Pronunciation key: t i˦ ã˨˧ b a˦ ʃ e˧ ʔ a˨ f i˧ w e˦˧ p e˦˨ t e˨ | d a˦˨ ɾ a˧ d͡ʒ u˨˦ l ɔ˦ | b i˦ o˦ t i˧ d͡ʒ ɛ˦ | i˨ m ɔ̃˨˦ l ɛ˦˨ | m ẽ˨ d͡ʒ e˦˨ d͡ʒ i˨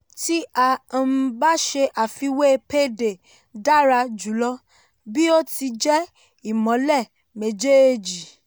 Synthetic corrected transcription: t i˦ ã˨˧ b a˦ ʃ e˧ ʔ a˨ f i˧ w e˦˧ p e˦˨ d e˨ | d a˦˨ ɾ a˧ d͡ʒ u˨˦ l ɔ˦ | b i˦ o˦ t i˧ d͡ʒ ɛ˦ | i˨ m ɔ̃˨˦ l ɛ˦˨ | m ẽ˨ d͡ʒ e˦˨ d͡ʒ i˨